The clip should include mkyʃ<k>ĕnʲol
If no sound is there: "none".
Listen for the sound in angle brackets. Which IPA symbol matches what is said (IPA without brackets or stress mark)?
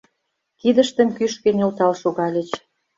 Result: k